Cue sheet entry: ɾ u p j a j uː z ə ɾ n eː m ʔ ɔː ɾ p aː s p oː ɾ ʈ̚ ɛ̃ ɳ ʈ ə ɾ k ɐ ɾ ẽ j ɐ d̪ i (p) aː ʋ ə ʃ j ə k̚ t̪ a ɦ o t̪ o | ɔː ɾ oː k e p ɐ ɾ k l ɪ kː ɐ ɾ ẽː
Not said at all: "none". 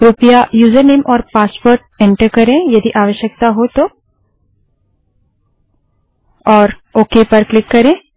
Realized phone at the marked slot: ʔ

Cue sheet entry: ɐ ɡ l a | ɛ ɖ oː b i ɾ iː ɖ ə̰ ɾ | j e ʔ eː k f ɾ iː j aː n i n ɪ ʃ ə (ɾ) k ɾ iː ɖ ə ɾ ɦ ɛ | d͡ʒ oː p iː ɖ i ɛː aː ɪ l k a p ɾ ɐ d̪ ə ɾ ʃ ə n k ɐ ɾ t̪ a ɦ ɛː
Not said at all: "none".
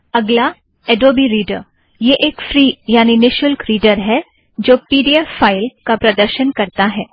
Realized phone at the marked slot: l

